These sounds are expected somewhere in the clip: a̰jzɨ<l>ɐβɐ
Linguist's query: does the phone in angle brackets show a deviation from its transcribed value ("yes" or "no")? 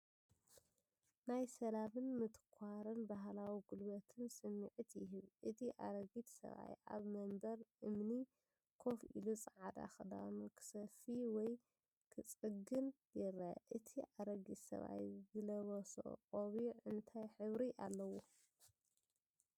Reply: no